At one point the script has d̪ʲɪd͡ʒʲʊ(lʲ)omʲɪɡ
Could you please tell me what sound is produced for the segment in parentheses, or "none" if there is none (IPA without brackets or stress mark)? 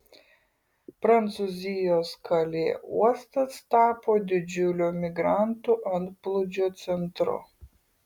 lʲ